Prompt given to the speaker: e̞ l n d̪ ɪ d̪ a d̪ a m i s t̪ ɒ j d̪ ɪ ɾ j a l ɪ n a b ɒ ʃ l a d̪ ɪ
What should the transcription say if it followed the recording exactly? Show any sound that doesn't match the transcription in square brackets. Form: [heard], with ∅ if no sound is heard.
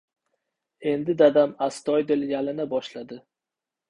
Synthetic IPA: e̞ [∅] n d̪ ɪ d̪ a d̪ a m [a] s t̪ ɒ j d̪ ɪ [l] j a l ɪ n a b ɒ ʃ l a d̪ ɪ